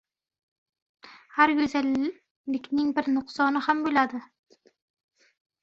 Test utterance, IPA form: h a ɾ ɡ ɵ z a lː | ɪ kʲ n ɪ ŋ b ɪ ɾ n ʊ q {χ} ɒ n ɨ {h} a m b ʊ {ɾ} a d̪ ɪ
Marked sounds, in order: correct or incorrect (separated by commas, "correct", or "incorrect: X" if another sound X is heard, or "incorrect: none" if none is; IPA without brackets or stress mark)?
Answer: incorrect: s, correct, incorrect: l